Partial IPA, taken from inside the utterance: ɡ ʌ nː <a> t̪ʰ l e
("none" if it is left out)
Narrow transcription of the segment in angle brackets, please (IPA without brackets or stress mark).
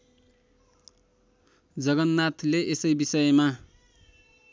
a